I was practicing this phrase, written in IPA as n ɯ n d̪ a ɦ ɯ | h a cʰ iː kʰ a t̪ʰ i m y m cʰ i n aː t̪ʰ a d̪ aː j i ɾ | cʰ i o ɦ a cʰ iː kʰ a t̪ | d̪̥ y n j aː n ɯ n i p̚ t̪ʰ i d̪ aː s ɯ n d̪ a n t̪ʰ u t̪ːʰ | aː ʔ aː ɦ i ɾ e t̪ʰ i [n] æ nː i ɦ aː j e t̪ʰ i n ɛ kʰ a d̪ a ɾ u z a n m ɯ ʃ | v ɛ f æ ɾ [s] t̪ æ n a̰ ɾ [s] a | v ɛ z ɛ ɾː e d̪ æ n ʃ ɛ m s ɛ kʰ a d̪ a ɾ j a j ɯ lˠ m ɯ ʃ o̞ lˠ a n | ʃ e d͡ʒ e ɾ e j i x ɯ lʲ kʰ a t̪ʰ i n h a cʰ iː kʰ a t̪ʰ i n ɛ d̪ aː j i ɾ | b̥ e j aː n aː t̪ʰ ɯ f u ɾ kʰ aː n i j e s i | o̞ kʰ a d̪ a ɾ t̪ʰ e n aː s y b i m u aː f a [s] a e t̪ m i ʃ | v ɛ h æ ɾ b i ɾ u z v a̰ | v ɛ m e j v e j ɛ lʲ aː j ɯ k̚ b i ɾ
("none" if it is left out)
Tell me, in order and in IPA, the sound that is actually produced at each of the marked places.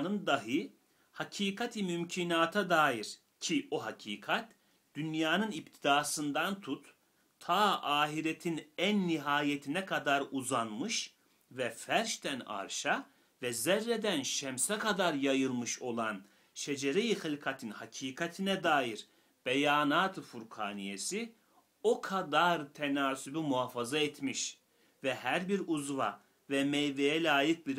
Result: n, ʃ, ʃ, z

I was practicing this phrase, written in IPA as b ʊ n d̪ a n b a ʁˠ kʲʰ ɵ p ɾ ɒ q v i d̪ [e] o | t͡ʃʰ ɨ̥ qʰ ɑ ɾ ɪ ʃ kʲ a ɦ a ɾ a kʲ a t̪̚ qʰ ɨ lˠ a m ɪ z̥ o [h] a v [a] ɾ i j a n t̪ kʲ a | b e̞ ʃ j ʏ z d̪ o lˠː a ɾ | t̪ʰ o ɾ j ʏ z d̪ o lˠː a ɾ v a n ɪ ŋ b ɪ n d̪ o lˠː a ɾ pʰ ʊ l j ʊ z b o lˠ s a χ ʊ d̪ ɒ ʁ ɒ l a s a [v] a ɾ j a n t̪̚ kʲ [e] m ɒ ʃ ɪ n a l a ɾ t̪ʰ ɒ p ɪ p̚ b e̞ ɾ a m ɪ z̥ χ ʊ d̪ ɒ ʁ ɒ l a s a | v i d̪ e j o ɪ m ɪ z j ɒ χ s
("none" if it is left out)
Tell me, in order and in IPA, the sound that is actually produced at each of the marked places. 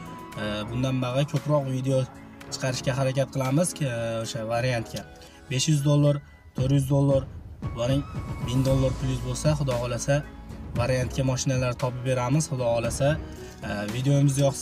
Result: e, ʃ, a, v, a

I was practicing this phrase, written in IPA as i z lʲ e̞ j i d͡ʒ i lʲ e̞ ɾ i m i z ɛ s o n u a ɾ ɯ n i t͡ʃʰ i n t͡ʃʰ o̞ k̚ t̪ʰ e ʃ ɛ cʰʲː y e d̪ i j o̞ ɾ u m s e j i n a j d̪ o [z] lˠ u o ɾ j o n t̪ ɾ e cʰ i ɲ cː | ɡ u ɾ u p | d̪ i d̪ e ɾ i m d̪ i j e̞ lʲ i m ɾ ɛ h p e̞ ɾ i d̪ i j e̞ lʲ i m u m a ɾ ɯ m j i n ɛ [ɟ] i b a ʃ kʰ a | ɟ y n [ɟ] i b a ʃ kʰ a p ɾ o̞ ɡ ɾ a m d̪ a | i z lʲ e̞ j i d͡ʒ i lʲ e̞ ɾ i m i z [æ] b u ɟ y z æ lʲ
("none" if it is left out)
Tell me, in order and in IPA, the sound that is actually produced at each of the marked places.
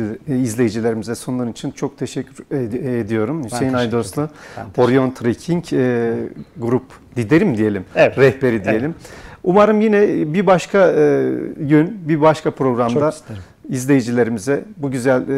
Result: s, b, b, ɛ

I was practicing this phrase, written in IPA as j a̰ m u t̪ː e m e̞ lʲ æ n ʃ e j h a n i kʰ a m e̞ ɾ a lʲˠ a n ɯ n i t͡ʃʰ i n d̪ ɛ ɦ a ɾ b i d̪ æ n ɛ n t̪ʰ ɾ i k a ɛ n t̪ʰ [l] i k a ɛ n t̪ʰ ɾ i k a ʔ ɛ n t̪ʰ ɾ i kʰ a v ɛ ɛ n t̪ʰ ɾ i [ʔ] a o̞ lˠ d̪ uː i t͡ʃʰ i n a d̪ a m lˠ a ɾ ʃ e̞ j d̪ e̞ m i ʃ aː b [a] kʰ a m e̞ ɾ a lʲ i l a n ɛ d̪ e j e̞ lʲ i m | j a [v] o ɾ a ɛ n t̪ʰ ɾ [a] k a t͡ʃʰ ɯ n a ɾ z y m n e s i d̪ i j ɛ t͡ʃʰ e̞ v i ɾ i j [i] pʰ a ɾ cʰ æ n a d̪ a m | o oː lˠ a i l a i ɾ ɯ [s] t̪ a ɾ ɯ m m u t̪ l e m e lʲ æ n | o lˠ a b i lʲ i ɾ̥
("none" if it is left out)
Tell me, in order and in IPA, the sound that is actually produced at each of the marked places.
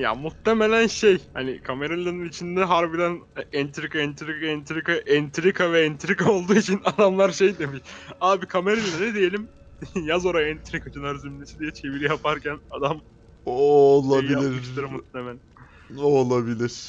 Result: ɾ, k, i, z, i, a, ʃ

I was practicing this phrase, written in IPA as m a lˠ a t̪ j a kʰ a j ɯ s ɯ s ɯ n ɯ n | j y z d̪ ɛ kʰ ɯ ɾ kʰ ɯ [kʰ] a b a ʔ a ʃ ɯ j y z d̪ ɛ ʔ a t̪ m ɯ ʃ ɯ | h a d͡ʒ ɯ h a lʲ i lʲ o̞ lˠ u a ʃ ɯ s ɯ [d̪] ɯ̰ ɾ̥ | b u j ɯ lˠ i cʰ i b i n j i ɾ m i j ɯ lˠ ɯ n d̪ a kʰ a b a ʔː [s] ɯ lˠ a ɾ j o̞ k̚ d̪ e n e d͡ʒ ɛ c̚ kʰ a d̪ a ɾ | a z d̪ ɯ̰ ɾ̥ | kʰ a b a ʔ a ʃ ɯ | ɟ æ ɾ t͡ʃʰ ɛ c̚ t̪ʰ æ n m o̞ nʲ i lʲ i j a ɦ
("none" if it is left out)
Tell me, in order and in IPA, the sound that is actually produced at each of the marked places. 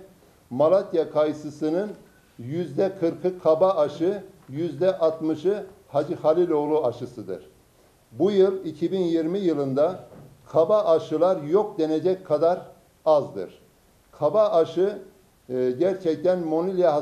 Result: kʰ, d̪, ʃ

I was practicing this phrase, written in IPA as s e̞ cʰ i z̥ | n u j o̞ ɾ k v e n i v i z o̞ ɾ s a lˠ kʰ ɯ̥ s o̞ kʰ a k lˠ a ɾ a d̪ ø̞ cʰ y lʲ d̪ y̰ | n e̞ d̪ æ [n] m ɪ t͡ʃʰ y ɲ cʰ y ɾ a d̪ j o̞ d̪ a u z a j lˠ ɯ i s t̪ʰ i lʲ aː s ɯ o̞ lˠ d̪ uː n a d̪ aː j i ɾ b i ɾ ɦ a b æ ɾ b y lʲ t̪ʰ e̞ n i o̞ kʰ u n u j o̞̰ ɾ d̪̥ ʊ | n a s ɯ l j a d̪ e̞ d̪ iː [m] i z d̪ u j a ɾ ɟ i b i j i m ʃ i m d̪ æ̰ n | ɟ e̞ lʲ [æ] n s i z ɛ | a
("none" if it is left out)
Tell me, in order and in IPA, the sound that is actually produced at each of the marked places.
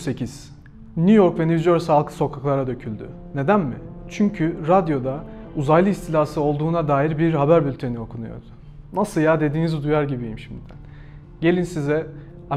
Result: n, n, i

